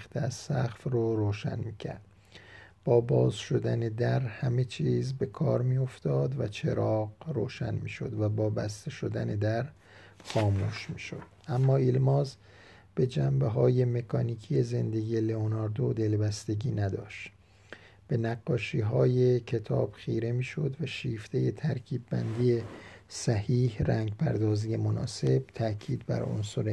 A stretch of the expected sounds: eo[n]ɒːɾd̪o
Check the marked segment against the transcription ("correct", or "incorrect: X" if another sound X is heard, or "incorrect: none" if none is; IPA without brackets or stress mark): correct